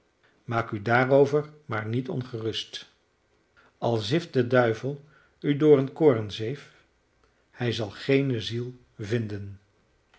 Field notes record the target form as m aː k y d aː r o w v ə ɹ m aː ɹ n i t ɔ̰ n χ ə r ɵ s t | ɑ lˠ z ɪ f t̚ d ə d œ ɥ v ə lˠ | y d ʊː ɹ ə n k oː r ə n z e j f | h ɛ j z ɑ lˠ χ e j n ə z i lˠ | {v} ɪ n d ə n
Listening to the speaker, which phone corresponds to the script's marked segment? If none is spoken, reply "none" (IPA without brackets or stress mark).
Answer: v